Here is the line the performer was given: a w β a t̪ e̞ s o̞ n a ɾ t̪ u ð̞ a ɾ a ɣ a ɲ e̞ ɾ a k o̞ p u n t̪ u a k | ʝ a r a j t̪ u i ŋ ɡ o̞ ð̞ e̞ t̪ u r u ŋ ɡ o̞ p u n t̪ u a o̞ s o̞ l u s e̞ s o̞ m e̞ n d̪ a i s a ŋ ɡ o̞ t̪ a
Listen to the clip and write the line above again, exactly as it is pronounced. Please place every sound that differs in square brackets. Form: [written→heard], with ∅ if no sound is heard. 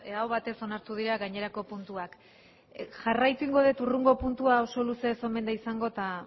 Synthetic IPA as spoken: a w β a t̪ e̞ s o̞ n a ɾ t̪ u ð̞ [a→i] ɾ a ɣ a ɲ e̞ ɾ a k o̞ p u n t̪ u a k | ʝ a r a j t̪ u i ŋ ɡ o̞ ð̞ e̞ t̪ u r u ŋ ɡ o̞ p u n t̪ u a o̞ s o̞ l u s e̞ s o̞ m e̞ n d̪ a i s a ŋ ɡ o̞ t̪ a